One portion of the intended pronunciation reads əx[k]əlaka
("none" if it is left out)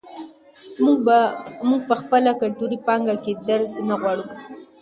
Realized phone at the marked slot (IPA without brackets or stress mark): p